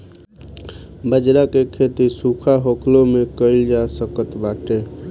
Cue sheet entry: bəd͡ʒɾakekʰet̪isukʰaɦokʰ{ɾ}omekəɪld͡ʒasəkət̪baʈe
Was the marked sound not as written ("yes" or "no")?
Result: yes